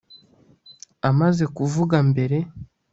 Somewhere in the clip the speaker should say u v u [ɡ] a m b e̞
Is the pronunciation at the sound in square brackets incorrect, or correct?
correct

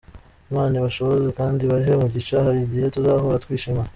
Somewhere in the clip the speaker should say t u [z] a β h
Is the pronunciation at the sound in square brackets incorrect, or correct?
correct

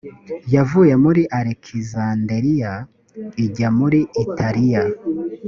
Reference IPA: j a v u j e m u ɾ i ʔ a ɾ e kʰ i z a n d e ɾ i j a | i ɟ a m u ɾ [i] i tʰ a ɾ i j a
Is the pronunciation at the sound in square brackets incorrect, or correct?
correct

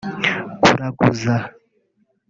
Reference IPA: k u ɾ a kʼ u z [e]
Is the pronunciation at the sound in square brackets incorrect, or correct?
incorrect: a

